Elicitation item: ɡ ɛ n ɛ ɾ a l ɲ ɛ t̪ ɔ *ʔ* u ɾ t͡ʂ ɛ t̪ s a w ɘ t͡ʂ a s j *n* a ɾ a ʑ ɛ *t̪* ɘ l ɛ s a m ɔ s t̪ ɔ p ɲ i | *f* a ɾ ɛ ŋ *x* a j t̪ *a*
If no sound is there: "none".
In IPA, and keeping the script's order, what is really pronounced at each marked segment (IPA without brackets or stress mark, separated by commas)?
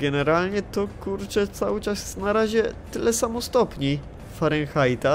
k, n, t̪, f, x, a